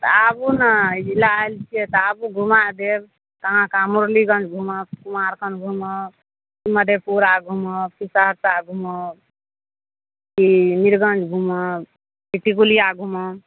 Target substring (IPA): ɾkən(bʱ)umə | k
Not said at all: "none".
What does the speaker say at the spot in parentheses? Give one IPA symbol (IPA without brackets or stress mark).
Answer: ɡʱ